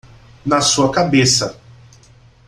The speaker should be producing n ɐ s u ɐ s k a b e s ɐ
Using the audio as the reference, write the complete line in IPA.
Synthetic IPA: n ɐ s u ɐ k a b e s ɐ